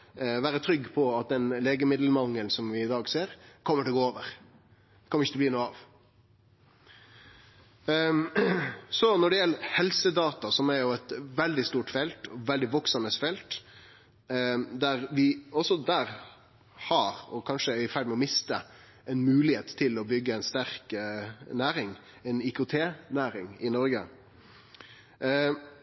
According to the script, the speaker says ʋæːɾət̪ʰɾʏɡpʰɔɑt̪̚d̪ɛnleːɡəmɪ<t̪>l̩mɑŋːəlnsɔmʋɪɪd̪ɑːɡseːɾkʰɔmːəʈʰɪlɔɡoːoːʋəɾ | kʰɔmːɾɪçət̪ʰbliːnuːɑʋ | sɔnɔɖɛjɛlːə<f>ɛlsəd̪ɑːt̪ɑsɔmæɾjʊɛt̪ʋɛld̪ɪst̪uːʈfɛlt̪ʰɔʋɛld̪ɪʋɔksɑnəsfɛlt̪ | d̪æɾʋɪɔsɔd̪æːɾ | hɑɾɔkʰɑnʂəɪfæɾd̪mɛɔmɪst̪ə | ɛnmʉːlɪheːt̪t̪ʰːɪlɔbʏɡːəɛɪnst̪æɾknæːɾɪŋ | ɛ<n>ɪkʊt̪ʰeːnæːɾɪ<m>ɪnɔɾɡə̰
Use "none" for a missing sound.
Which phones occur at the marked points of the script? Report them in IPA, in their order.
d̪, h, n, ŋ

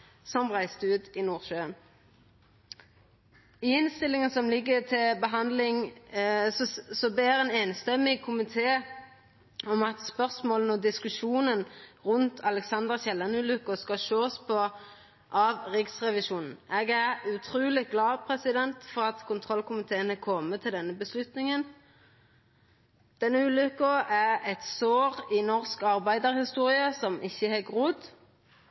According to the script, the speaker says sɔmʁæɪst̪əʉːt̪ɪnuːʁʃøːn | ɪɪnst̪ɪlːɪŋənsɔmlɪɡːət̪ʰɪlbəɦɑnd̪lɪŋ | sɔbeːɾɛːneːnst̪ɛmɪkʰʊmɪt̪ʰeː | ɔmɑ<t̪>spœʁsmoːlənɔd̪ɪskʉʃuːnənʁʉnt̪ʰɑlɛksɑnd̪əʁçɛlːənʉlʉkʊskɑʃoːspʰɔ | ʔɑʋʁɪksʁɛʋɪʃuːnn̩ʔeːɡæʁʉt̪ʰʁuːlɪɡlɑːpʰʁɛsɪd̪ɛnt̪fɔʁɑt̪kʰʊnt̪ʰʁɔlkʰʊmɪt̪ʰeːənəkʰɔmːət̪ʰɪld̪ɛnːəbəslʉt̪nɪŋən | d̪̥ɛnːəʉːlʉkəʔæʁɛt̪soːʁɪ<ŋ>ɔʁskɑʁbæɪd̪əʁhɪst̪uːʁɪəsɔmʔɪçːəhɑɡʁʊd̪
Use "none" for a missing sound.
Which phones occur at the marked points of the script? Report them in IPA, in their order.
t̪, n

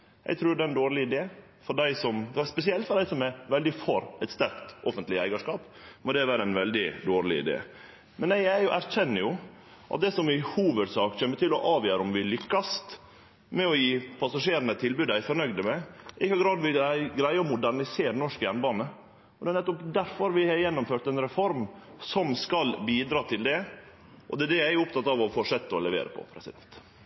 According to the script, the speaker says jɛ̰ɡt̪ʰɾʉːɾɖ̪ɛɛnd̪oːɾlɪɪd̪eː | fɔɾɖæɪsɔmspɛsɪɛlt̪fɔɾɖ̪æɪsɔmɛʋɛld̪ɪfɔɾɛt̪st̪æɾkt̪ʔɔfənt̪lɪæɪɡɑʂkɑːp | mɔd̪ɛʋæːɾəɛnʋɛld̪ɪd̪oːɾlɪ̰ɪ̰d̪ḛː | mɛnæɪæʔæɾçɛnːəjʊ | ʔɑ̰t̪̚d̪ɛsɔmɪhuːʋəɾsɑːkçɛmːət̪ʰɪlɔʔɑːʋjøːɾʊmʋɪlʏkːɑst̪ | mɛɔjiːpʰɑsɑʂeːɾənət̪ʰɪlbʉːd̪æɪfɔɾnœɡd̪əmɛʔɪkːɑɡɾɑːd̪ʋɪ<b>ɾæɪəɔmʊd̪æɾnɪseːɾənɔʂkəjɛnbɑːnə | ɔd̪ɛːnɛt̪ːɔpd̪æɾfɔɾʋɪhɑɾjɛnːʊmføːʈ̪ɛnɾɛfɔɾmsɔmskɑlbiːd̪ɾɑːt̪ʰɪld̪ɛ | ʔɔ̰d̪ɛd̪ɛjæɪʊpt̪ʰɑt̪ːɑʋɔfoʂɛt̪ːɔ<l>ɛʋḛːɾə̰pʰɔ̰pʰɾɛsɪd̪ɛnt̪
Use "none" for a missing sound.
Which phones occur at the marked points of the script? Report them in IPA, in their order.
ɡ, l

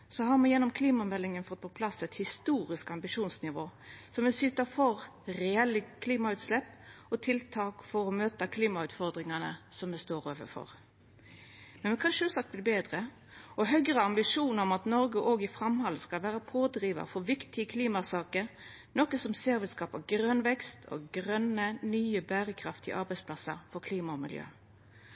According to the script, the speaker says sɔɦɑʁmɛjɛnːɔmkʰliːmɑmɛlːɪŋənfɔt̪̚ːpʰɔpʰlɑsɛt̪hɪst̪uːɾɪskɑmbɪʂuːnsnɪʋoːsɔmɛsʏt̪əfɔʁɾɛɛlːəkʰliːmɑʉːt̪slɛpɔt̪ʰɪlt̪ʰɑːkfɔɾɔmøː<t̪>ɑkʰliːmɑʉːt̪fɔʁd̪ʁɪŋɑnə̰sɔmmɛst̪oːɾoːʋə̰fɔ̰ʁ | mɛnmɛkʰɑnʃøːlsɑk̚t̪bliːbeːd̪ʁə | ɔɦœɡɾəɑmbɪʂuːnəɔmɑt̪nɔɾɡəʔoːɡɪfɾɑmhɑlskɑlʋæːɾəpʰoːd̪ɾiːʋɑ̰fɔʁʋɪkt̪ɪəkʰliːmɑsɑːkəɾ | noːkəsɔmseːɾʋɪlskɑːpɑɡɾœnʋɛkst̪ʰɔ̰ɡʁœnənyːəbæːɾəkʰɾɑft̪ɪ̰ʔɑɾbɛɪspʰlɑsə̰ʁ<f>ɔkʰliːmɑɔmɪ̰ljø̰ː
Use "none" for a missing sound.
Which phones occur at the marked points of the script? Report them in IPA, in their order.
t̪, f

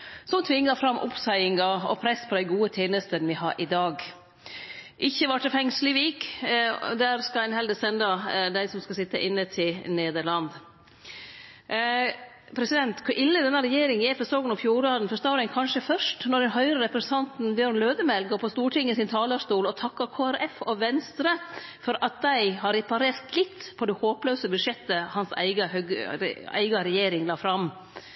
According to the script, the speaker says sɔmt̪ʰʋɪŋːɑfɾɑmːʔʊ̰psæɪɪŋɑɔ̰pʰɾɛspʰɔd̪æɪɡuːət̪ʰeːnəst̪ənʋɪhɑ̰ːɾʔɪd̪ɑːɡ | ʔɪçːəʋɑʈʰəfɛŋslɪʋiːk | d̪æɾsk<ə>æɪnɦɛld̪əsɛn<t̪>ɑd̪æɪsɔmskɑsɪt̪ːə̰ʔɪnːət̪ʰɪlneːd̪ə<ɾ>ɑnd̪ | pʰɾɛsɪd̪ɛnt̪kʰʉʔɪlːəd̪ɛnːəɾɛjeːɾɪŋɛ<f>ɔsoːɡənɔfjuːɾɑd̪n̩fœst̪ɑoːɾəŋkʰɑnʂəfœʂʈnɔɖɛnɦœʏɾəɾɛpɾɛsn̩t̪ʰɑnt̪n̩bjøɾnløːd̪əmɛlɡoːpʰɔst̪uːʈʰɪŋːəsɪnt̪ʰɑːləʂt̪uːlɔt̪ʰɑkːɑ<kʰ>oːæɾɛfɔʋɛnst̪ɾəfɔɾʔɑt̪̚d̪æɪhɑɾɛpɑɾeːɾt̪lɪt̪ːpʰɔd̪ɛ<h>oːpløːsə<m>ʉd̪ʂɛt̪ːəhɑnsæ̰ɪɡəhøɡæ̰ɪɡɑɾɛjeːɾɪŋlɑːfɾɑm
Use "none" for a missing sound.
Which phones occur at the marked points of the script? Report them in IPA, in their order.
ɑ, d̪, ɭ, f, kʰ, h, b

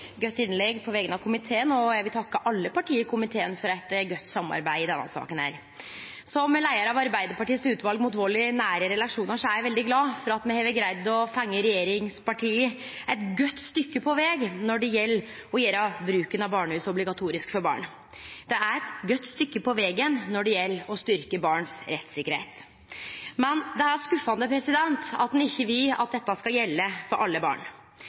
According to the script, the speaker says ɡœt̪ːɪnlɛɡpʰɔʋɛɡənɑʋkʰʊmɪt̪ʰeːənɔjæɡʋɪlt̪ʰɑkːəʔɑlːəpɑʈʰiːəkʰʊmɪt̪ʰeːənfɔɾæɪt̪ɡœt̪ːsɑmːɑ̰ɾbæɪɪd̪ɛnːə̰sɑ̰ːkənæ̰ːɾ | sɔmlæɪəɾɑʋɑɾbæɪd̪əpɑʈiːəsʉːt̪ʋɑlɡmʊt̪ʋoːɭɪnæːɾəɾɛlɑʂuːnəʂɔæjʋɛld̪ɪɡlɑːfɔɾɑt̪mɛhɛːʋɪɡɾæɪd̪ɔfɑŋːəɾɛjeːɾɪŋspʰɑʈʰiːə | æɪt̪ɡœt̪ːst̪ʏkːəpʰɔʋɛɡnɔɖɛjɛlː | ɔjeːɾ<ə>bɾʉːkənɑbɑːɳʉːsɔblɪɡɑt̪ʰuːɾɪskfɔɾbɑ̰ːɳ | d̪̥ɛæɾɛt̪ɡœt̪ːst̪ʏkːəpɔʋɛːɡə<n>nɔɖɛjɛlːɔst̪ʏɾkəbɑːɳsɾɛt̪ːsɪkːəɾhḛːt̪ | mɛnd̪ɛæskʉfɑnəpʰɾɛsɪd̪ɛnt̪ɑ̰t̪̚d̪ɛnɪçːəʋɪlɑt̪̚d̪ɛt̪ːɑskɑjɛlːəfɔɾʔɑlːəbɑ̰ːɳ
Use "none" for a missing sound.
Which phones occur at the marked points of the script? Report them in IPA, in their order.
ɑ, n

